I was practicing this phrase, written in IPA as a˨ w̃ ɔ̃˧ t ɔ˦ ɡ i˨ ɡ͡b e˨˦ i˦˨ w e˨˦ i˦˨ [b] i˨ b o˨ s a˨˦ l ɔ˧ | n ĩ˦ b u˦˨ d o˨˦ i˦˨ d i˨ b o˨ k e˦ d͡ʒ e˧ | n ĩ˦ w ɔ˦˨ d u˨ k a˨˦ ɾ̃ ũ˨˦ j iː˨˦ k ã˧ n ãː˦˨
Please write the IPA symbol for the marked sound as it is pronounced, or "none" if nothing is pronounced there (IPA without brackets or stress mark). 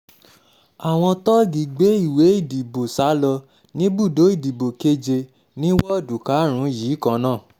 d